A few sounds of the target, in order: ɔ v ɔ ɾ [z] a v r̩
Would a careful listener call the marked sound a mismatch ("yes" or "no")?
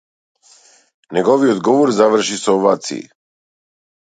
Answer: no